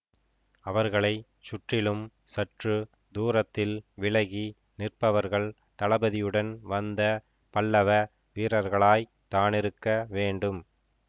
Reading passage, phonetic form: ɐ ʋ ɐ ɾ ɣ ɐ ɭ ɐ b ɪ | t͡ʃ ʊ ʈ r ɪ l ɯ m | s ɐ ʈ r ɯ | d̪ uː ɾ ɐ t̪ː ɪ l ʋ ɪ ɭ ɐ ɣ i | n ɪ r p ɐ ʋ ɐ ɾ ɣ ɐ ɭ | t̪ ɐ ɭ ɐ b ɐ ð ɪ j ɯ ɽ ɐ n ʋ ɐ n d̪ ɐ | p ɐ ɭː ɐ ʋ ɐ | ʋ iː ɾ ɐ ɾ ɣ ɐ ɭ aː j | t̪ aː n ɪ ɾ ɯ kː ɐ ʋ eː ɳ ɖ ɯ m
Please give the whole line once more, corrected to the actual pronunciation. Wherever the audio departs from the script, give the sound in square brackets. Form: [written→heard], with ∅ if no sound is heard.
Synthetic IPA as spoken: ɐ ʋ ɐ ɾ ɣ ɐ ɭ ɐ [b→∅] ɪ | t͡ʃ ʊ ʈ r ɪ l ɯ m | s ɐ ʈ r ɯ | d̪ uː ɾ ɐ t̪ː ɪ l ʋ ɪ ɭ ɐ ɣ i | n ɪ r p ɐ ʋ ɐ ɾ ɣ ɐ ɭ | t̪ ɐ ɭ ɐ b ɐ ð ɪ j ɯ ɽ ɐ n ʋ ɐ n d̪ ɐ | p ɐ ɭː ɐ ʋ ɐ | ʋ iː ɾ ɐ ɾ ɣ ɐ ɭ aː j | t̪ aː n ɪ ɾ ɯ kː ɐ ʋ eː ɳ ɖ ɯ m